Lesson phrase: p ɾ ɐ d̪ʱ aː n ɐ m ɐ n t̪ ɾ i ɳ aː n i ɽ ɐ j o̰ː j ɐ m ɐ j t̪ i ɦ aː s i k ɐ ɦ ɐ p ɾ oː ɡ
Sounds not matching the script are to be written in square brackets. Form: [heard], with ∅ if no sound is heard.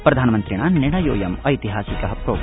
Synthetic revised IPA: p ɾ ɐ d̪ʱ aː n ɐ m ɐ n t̪ ɾ i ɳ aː n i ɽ ɐ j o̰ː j ɐ m ɐ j t̪ i ɦ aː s i k ɐ ɦ ɐ p ɾ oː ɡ